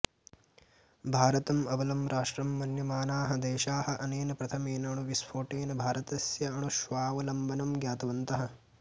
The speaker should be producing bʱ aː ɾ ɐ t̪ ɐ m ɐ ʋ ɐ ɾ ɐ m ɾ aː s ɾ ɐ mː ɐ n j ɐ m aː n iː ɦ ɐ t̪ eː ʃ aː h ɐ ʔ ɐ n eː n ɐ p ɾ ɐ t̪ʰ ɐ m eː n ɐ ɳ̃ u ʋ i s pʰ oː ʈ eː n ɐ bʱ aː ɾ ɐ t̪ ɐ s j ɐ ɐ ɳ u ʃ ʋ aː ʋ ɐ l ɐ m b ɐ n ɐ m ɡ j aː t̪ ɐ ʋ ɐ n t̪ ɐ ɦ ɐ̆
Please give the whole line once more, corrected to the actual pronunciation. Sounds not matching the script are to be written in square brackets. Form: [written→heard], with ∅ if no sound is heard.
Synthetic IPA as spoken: bʱ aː ɾ ɐ t̪ ɐ m ɐ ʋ ɐ [ɾ→l] ɐ m ɾ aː [s→ʂ] ɾ ɐ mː ɐ n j ɐ m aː n [iː→aː] ɦ ɐ [t̪→d̪] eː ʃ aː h ɐ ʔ ɐ n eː n ɐ p ɾ ɐ t̪ʰ ɐ m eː n ɐ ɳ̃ u ʋ i s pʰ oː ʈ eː n ɐ bʱ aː ɾ ɐ t̪ ɐ s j ɐ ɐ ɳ u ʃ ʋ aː ʋ ɐ l ɐ m b ɐ n ɐ m ɡ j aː t̪ ɐ ʋ ɐ n t̪ ɐ ɦ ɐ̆